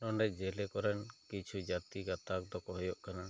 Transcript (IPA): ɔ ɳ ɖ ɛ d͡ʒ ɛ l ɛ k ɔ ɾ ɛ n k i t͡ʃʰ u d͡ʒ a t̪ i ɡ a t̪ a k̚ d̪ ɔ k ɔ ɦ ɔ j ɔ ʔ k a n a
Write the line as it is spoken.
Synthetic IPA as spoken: ɔ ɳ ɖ ɛ d͡ʒ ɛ l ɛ k ɔ ɾ ɛ n k i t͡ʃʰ u d͡ʒ a t̪ i ɡ a t̪ a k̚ d̪ ɔ k ɔ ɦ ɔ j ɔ ʔ k a n a